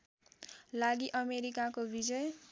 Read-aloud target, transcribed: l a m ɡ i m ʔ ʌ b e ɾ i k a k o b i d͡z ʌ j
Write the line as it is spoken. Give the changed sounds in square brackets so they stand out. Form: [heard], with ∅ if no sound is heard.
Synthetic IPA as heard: l a [∅] ɡ i [∅] ʔ ʌ [m] e ɾ i k a k o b i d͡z ʌ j

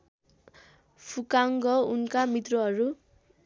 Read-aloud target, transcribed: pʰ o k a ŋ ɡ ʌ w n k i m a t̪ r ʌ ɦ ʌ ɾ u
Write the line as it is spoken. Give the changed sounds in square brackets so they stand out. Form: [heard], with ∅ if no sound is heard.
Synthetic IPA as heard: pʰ [u] k a ŋ ɡ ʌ [u] n k [a] m [i] t̪ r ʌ ɦ ʌ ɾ u

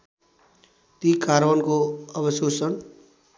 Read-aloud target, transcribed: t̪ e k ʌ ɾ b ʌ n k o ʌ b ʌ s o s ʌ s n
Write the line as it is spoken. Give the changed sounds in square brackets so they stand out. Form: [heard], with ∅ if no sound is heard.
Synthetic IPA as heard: t̪ [i] k [a] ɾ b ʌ n k o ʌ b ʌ s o s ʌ [∅] n

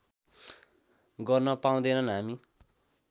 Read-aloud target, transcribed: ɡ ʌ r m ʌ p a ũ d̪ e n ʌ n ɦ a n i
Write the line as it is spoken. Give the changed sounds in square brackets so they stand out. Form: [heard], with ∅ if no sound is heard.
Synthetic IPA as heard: ɡ ʌ r [n] ʌ p a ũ d̪ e n ʌ n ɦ a [m] i

